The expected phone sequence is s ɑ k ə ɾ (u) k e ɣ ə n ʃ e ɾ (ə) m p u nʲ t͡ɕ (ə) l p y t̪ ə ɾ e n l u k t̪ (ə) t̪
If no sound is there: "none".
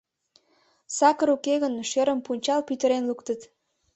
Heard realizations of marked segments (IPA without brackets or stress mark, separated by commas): u, ə, ɑ, ə